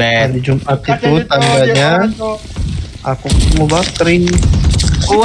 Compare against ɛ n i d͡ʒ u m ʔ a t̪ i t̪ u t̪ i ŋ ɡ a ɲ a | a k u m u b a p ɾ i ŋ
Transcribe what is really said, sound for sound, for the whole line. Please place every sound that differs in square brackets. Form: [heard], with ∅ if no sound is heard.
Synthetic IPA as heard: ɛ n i d͡ʒ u m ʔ a t̪ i t̪ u t̪ [a] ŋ ɡ a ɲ a | a k u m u b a [k] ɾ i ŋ